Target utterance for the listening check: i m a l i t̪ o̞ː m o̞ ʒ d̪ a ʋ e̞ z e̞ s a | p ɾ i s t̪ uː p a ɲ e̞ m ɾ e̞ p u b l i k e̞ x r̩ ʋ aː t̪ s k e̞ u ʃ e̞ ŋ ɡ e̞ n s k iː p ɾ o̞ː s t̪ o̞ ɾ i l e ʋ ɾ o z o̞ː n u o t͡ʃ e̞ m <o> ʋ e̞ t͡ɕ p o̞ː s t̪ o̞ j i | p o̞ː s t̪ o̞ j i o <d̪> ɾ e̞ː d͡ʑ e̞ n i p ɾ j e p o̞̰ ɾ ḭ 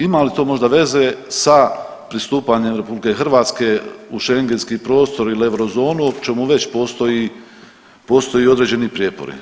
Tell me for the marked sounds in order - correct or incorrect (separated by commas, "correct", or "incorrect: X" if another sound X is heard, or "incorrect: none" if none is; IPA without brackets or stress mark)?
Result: incorrect: u, correct